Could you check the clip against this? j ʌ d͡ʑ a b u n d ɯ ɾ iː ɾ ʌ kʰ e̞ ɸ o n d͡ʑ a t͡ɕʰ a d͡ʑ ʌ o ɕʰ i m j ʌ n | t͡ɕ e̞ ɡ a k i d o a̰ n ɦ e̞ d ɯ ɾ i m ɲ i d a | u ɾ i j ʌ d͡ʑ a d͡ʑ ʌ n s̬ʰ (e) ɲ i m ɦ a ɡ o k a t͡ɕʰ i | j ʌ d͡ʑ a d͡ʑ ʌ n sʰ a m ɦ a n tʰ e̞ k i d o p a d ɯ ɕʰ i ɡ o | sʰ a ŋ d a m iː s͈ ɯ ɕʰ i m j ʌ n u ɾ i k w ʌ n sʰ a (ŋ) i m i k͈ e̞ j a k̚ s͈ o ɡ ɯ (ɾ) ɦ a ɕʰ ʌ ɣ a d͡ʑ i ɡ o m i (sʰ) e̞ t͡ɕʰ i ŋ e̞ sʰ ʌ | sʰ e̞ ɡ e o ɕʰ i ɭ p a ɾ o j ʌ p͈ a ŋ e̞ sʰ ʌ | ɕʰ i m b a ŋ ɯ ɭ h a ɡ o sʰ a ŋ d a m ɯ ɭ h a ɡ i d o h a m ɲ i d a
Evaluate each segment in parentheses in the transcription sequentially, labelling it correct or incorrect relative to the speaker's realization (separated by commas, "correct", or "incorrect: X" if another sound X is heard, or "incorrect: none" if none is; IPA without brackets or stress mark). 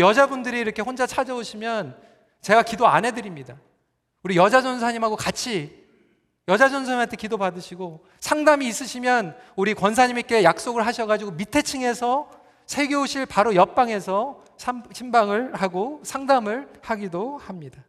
incorrect: a, incorrect: ɲ, incorrect: ɭ, incorrect: tʰ